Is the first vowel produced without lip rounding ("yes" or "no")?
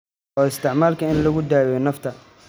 no